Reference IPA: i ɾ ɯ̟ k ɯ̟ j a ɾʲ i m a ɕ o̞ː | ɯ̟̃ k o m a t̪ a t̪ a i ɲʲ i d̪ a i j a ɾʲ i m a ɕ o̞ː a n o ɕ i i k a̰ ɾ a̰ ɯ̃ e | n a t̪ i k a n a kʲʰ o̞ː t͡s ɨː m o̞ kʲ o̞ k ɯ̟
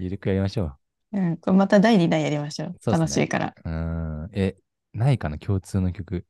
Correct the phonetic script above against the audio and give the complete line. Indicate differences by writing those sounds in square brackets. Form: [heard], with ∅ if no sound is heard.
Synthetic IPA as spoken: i ɾ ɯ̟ k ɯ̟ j a ɾʲ i m a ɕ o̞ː | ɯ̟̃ k o m a t̪ a [d̪] a i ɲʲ i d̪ a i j a ɾʲ i m a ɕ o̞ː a n o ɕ i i k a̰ ɾ a̰ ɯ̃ e | n a [∅] i k a n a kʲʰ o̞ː t͡s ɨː [n] o̞ kʲ o̞ k ɯ̟